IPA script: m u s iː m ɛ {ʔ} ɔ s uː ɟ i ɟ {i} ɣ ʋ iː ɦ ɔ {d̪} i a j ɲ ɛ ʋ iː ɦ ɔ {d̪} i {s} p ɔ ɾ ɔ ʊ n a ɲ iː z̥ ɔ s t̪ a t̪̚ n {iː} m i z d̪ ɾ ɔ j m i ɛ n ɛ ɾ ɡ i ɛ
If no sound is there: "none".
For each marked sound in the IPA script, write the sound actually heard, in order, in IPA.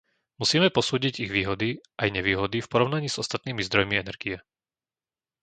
p, i, d̪, d̪, f, iː

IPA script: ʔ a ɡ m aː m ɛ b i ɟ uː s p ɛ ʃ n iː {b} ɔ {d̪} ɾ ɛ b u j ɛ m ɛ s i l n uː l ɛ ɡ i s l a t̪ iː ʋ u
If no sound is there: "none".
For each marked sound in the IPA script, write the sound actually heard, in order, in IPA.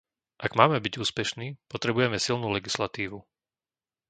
p, t̪

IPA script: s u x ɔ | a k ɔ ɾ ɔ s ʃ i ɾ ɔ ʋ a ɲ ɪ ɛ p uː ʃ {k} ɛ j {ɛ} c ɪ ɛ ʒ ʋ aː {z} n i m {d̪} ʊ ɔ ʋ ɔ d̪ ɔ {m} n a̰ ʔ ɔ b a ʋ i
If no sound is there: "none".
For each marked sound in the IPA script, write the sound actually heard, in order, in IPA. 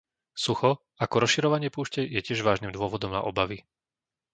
c, ɛ, ʒ, d̪, m

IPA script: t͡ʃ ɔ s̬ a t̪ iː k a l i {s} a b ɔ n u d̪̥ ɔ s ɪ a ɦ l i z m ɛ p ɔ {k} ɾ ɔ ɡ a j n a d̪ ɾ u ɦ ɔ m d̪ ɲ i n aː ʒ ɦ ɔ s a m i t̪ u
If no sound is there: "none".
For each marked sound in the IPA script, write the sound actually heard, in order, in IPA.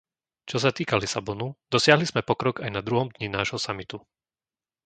s, k

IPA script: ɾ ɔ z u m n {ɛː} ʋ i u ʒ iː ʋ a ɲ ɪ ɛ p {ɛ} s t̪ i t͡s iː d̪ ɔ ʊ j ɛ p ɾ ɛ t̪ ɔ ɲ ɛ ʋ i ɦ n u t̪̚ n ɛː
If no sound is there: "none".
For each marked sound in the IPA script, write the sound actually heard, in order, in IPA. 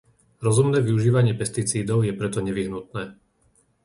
ɛː, ɛ

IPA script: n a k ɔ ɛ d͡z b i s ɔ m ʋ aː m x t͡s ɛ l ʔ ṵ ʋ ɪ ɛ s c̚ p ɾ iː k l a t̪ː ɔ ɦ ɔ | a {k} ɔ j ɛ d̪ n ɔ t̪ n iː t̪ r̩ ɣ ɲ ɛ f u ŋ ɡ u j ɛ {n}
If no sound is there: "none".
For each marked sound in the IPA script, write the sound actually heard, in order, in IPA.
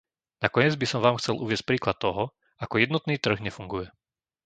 k, none

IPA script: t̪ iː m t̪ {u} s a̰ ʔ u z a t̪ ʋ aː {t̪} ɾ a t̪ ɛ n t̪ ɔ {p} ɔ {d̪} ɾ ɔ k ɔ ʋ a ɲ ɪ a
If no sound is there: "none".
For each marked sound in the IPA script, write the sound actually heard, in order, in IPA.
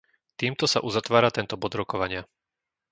ɔ, none, b, d̪

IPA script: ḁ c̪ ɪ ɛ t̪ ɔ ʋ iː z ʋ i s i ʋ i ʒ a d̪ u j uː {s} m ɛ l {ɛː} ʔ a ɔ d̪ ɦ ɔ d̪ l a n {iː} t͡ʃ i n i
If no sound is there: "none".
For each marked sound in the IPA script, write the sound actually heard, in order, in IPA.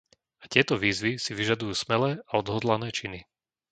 s, ɛː, ɛː

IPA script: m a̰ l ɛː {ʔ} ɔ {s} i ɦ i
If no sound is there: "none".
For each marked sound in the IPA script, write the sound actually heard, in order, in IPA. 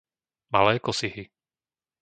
k, s

